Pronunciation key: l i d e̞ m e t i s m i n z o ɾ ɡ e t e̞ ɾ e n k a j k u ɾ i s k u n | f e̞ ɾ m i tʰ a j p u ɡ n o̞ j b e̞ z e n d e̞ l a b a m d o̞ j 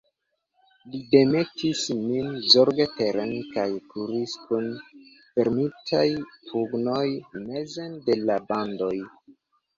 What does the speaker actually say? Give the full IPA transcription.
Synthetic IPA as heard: l i d e̞ m e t i s m i n z o ɾ ɡ e t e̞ ɾ e n k a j k u ɾ i s k u n | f e̞ ɾ m i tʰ a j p u ɡ n o̞ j m e̞ z e n d e̞ l a b a n d o̞ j